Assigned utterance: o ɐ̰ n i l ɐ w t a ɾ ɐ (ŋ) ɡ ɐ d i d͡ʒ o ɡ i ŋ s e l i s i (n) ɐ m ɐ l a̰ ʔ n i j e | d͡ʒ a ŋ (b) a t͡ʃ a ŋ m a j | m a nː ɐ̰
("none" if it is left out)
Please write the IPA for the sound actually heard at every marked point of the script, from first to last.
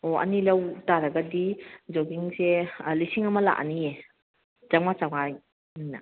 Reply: none, ŋ, m

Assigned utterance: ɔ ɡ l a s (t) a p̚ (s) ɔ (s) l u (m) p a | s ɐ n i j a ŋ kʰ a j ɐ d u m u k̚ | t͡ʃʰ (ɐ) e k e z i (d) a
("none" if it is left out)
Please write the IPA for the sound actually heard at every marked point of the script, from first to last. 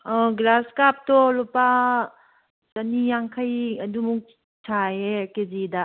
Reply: k, t, none, none, a, d

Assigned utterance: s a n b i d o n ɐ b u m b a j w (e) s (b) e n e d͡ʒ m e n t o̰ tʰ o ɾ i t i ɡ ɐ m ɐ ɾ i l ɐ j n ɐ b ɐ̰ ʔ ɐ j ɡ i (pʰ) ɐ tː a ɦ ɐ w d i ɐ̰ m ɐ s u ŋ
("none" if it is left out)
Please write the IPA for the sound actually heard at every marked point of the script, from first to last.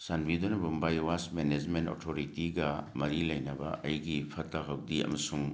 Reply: a, m, pʰ

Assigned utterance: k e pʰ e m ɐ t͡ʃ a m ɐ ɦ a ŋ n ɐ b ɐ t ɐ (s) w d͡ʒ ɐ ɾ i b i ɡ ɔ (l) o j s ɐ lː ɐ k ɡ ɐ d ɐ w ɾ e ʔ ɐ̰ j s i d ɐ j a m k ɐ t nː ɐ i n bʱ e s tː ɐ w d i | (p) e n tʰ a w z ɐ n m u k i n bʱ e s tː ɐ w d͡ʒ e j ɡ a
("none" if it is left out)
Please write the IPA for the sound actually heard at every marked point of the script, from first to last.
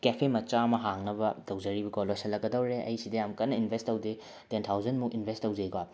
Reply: none, l, t

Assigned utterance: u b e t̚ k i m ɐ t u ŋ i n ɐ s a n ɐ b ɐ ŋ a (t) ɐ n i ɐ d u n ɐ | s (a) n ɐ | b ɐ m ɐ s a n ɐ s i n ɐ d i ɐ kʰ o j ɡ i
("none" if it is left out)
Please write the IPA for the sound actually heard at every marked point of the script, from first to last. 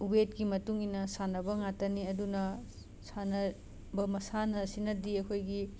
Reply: t, a

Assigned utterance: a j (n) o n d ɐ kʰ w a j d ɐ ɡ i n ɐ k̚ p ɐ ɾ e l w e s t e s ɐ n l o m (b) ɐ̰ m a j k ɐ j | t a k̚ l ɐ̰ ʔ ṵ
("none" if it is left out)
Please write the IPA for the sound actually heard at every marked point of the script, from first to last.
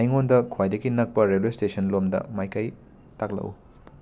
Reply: ŋ, d

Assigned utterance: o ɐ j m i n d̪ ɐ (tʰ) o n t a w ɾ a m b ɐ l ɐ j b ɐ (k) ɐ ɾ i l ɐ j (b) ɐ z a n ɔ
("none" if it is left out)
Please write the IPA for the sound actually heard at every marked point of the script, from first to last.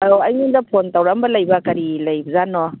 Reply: pʰ, k, b

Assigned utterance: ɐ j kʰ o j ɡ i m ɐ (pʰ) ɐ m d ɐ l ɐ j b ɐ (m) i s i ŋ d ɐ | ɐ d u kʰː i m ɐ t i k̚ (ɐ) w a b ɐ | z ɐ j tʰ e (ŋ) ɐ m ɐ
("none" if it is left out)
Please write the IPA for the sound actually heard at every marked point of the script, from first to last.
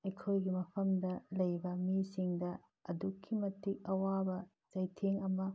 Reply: pʰ, m, ɐ, ŋ

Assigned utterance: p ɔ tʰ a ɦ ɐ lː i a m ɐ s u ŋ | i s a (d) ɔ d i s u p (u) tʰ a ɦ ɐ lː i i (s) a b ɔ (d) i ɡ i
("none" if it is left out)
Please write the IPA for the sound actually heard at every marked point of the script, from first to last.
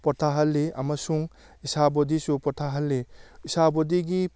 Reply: b, ɔ, s, d

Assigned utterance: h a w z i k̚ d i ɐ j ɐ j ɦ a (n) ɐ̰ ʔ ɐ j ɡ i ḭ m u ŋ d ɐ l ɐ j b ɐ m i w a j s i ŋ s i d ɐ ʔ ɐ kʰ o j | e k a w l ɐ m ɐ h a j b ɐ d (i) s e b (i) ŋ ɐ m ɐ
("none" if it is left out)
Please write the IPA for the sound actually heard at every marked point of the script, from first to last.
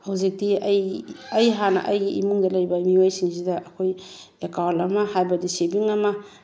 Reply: n, i, i

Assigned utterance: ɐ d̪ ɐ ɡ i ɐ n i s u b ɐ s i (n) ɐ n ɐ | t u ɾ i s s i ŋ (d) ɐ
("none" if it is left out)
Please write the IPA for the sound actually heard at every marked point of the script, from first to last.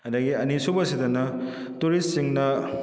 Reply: d, n

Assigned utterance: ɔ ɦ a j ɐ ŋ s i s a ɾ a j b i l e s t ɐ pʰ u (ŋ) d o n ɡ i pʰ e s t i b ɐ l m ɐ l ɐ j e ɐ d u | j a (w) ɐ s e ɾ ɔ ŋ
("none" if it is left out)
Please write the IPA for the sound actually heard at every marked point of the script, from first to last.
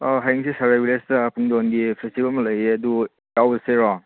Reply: ŋ, w

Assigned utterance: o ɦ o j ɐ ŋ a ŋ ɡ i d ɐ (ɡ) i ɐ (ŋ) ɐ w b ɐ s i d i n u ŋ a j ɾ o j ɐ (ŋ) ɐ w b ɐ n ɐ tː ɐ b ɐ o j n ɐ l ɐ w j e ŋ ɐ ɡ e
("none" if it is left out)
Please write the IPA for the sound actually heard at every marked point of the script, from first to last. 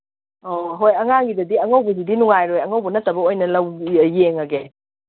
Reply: d, ŋ, ŋ

